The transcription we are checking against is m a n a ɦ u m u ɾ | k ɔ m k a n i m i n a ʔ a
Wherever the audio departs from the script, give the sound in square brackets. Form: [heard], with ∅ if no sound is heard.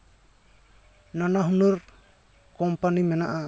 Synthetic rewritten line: [n] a n a ɦ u [n] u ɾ | k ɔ m [p] a n i m [ɛ] n a ʔ a